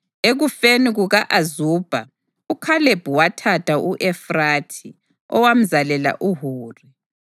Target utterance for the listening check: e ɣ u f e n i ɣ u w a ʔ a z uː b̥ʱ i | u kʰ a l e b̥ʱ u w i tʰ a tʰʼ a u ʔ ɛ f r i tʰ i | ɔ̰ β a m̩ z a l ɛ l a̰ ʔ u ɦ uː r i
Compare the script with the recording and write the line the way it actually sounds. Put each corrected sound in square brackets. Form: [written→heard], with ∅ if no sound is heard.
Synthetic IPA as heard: e ɣ u f e n i ɣ u [w→ɣ] a ʔ a z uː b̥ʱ [i→a] | u kʰ a l e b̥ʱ u w [i→a] tʰ a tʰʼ a u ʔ ɛ f r [i→a] tʰ i | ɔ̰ [β→w] a m̩ z a l ɛ l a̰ ʔ u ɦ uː r i